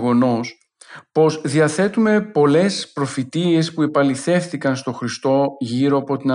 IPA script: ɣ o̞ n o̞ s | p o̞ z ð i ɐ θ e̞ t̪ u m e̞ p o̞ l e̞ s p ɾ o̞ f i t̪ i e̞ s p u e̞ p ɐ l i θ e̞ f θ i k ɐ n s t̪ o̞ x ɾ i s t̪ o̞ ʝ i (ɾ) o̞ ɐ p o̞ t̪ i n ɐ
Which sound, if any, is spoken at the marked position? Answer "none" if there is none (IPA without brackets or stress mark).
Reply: ɾ